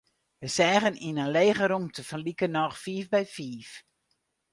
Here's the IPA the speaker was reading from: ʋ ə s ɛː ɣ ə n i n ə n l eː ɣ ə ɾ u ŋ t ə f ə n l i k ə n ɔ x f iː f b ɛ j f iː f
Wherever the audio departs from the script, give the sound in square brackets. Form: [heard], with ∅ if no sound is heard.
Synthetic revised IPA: ʋ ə s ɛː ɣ ə n i n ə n l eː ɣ ə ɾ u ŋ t ə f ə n l i k ə n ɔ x f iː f b ɛ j f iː f